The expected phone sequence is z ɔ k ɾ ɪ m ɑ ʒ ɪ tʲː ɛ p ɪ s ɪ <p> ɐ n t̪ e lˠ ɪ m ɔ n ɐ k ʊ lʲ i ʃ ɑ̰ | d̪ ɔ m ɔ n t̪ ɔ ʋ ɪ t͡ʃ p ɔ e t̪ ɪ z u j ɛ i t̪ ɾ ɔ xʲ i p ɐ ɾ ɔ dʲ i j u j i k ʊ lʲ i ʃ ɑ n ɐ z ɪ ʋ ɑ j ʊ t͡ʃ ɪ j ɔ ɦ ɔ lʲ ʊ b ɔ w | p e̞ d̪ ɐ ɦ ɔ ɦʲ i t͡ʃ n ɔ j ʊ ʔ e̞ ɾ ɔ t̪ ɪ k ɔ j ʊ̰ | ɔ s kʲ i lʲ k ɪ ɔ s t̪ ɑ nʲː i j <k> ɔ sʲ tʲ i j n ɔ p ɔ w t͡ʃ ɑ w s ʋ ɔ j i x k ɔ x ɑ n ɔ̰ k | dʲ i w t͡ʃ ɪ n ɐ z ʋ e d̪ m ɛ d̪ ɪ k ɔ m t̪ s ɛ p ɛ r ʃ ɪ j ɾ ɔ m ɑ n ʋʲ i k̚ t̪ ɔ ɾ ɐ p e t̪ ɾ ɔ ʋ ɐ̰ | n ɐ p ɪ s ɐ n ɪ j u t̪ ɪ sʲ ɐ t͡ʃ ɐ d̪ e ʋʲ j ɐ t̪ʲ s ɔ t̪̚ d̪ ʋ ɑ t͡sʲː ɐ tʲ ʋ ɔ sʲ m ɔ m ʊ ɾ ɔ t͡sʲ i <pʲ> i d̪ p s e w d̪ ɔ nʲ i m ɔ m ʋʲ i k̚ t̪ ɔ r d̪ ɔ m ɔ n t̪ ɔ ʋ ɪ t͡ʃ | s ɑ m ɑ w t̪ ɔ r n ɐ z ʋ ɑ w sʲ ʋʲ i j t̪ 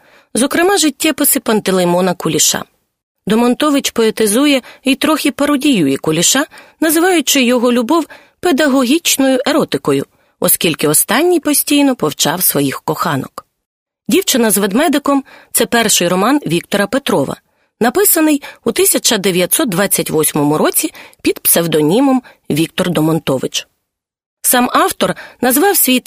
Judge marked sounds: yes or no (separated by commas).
yes, no, yes